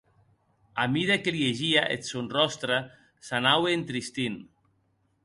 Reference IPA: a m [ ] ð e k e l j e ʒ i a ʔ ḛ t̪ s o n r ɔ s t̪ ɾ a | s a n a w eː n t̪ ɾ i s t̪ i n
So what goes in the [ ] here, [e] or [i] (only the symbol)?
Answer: i